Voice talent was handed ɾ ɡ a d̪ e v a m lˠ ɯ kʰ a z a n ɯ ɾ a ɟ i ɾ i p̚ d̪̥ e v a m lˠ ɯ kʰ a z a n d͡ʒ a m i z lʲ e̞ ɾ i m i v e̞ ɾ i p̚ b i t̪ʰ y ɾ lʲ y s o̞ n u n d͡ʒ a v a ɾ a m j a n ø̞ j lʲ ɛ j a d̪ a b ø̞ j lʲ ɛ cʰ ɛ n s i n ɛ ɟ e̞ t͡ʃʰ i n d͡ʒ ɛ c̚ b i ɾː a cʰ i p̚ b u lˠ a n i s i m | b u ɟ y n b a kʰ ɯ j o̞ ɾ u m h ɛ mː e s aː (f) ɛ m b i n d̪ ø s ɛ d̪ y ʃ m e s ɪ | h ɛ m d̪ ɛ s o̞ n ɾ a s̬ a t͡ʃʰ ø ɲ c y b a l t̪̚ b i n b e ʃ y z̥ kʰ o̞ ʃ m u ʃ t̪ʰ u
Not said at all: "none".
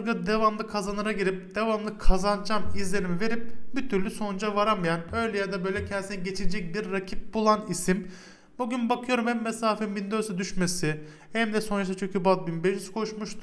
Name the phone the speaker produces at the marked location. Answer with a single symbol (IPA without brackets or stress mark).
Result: f